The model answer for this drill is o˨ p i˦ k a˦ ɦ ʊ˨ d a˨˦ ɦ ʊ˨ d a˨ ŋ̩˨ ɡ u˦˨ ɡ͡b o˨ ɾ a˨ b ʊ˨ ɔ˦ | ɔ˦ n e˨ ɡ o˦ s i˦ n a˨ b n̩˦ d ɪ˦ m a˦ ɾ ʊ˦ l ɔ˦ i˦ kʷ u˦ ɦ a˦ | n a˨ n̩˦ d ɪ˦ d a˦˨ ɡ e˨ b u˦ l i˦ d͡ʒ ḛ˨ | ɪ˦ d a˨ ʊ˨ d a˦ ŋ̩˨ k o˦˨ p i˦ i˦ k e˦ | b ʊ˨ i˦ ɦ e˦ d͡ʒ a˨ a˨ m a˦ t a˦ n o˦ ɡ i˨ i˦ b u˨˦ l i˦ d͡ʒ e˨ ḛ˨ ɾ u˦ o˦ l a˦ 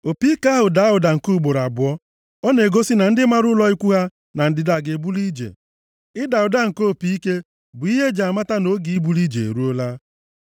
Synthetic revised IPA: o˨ p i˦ k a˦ ɦ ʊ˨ d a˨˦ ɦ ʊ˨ d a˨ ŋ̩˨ k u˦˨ ɡ͡b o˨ ɾ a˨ b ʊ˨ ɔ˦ | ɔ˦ n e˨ ɡ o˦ s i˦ n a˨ n̩˦ d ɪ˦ m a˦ ɾ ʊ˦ l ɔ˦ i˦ kʷ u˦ ɦ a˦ | n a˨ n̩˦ d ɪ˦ d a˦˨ ɡ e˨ b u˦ l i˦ d͡ʒ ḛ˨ | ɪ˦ d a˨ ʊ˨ d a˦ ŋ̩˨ k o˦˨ p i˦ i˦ k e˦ | b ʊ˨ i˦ ɦ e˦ d͡ʒ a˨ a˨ m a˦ t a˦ n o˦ ɡ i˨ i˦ b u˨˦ l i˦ d͡ʒ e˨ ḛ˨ ɾ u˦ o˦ l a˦

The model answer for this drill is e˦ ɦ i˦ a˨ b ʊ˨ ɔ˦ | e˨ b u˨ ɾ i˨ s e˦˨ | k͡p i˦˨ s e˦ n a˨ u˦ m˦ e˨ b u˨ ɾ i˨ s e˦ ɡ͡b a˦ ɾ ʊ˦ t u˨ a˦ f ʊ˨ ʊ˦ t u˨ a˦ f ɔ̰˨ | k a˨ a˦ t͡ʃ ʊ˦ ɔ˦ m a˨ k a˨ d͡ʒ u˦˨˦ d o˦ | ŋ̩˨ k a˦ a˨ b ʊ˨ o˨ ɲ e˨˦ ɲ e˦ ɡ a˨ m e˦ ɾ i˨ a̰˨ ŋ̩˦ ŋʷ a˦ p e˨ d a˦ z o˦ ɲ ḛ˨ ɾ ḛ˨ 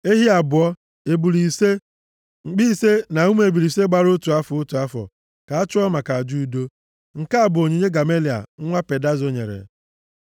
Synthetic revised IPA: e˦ ɦ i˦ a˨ b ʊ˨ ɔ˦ | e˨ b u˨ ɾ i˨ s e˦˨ | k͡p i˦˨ s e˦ n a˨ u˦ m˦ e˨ b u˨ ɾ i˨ s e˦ ɡ͡b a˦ ɾ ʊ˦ t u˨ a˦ f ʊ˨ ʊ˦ t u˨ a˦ f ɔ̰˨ | k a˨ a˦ t͡ʃ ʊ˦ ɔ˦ m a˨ k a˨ d͡ʒ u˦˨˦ d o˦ | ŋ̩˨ k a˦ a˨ b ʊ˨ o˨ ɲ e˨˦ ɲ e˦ ɡ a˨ m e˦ l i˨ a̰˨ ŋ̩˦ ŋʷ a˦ p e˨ d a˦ z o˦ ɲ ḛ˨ ɾ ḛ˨

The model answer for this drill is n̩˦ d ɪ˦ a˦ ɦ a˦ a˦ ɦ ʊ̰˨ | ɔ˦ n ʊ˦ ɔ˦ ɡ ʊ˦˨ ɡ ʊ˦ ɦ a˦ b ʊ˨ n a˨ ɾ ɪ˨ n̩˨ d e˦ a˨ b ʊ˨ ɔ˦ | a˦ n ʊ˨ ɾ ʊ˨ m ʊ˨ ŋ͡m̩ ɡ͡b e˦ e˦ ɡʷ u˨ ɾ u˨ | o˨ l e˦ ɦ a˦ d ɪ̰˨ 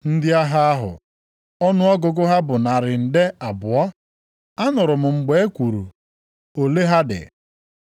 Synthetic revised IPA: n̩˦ d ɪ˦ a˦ ɦ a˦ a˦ ɦ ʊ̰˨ | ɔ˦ n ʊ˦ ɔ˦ ɡ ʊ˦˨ ɡ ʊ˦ ɦ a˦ b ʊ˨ n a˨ ɾ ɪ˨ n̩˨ d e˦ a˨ b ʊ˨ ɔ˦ | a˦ n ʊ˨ ɾ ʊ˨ m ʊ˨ ŋ͡m̩ ɡ͡b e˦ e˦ kʷ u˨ ɾ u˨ | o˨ l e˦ ɦ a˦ d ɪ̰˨

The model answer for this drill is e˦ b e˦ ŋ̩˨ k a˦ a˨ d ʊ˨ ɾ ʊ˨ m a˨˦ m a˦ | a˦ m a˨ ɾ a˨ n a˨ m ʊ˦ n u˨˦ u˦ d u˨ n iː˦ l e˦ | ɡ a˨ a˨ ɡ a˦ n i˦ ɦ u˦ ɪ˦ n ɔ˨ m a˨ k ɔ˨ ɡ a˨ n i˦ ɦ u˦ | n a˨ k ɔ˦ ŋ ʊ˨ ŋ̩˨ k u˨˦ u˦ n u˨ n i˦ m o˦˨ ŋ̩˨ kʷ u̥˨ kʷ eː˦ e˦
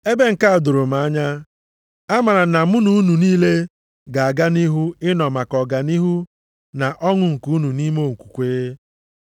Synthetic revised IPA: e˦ b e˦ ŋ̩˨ k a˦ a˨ d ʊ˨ ɾ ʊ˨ m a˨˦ ɲ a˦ | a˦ m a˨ ɾ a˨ n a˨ m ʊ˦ n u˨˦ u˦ n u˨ n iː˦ l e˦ | ɡ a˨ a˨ ɡ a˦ n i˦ ɦ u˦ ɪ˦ n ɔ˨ m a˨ k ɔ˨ ɡ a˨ n i˦ ɦ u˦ | n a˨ ʔ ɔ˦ ŋ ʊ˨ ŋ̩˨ k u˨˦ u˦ n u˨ n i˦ m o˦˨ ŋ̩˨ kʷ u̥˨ kʷ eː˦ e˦

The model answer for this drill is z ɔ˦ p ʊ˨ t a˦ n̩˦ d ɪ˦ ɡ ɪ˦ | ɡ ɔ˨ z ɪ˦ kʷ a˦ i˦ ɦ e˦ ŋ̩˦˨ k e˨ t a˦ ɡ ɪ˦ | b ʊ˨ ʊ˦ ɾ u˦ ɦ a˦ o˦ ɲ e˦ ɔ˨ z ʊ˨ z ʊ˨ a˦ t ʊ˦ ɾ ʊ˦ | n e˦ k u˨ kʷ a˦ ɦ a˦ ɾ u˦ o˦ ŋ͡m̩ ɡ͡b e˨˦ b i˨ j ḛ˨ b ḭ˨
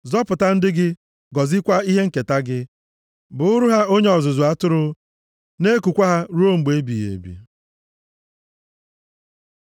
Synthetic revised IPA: z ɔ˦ p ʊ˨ t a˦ n̩˦ d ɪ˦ ɡ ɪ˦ | ɡ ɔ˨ z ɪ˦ kʷ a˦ i˦ ɦ e˦ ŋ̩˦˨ k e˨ t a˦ ɡ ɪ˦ | b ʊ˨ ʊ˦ ɾ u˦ ɦ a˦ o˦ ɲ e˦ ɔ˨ z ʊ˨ z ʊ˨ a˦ t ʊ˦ ɾ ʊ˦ | n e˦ k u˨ kʷ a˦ ɦ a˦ ɾ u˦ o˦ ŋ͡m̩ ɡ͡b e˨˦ b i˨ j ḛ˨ b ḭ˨

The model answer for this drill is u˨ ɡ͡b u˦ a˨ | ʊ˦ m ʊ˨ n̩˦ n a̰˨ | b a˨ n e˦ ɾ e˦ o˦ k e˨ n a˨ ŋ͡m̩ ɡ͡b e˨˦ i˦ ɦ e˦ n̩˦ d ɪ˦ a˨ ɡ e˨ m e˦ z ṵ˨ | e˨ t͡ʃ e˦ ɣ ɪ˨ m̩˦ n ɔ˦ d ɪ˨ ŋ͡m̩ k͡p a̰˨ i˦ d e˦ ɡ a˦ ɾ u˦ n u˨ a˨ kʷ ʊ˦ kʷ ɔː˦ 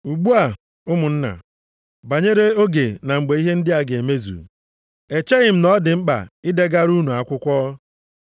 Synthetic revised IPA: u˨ ɡ͡b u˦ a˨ | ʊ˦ m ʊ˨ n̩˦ n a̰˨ | b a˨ ɲ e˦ ɾ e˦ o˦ ɡ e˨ n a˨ ŋ͡m̩ ɡ͡b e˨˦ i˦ ɦ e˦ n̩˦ d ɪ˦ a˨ ɡ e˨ m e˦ z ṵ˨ | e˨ t͡ʃ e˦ ɣ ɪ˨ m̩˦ n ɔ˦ d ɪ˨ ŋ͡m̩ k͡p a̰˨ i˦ d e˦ ɡ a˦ ɾ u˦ n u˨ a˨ kʷ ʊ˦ kʷ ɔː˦

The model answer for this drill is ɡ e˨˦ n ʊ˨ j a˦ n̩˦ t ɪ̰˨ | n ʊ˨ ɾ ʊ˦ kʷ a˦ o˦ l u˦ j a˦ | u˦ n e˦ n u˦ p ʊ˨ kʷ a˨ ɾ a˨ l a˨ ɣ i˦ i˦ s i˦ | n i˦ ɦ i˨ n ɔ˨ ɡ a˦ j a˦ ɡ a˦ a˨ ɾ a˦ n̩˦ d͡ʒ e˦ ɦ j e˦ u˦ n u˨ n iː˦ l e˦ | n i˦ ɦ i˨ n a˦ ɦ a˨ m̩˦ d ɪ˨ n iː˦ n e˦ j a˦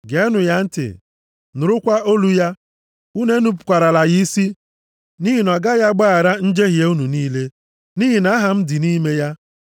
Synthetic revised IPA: ɡ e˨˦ n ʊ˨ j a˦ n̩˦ t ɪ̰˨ | n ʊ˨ ɾ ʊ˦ kʷ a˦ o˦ l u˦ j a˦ | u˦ n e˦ n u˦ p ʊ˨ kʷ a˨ ɾ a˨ l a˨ ɣ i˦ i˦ s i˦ | n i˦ ɦ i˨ n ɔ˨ ɡ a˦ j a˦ ɡ͡b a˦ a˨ ɾ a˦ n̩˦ d͡ʒ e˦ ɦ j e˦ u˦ n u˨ n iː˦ l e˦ | n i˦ ɦ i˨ n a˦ ɦ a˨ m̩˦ d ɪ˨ n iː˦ m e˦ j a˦

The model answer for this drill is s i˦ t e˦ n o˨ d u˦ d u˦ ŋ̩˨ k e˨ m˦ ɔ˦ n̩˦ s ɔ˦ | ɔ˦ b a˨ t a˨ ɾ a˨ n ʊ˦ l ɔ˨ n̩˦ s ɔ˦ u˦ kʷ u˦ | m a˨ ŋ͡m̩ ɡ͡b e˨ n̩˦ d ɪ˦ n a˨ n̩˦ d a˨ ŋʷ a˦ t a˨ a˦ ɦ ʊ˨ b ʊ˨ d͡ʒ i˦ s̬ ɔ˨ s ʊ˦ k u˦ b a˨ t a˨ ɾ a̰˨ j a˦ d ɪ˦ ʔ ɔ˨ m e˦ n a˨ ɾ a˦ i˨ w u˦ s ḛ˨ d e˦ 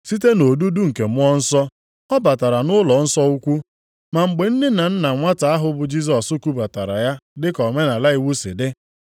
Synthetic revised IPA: s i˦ t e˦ n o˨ d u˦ d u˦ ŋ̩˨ k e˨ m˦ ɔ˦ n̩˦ s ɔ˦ | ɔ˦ b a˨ t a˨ ɾ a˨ n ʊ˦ l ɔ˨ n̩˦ s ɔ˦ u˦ kʷ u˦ | m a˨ ŋ͡m̩ ɡ͡b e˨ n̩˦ d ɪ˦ n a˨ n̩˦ n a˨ ŋʷ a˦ t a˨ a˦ ɦ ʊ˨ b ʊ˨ d͡ʒ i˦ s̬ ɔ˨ s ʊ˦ k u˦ b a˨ t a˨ ɾ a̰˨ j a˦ d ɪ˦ k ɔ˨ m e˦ n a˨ l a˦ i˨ w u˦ s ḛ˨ d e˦

